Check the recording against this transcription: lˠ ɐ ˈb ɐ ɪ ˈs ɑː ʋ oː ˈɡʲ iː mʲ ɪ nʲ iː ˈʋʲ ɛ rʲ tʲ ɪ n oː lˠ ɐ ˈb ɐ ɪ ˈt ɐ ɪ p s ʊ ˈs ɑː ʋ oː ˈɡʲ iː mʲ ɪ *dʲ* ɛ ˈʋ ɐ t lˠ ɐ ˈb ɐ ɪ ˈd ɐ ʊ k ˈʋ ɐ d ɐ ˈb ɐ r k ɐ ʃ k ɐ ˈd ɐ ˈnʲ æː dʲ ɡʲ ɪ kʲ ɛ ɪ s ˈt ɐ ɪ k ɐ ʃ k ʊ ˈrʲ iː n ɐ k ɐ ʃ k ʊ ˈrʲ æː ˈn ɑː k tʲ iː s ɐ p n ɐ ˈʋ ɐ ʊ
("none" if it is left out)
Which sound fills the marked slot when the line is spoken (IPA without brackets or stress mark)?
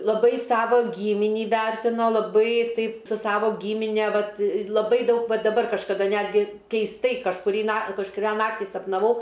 nʲ